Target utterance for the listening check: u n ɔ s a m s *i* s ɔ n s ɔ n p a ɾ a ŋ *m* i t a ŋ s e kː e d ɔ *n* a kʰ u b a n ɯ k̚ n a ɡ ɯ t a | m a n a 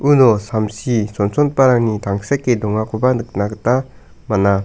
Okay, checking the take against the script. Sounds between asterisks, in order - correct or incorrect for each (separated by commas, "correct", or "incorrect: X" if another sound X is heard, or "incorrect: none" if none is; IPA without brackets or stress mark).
correct, incorrect: n, incorrect: ŋ